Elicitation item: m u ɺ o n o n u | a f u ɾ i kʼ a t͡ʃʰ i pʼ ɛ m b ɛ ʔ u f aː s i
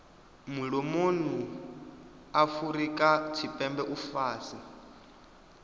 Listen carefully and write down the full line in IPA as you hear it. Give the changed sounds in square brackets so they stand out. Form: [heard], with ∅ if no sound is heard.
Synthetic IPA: m u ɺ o [m] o n u | a f u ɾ i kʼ a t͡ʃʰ i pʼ ɛ m b ɛ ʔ u f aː s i